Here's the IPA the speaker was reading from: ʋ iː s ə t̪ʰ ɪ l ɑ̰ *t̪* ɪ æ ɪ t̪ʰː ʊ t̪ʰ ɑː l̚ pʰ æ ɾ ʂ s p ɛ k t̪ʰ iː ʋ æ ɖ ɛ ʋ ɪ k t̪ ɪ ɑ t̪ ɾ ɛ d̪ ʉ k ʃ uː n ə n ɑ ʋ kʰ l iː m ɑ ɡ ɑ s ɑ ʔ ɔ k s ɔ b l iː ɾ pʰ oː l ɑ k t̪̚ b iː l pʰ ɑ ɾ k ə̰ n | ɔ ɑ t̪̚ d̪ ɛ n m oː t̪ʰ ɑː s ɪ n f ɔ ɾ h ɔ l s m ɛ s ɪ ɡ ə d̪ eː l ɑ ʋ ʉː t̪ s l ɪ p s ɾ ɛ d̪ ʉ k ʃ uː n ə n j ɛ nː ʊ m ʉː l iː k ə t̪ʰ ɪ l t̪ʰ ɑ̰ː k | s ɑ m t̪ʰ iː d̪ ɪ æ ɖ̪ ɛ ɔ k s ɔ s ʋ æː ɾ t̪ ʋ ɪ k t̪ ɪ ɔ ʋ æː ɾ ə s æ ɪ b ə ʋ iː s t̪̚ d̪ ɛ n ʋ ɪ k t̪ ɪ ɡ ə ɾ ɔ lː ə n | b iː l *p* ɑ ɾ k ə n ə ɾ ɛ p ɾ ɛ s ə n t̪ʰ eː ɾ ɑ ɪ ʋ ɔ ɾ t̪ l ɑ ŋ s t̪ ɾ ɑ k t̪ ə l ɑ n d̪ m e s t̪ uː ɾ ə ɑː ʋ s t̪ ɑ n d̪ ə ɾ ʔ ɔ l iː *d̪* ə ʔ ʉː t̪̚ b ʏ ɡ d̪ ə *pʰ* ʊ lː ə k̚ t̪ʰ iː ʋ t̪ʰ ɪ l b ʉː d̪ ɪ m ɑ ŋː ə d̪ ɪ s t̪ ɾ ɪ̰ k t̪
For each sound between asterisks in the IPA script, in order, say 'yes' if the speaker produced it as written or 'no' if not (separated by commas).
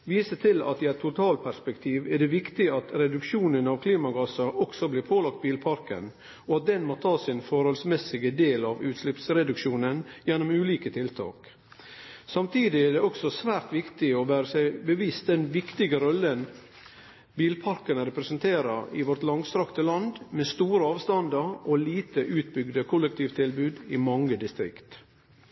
yes, no, no, no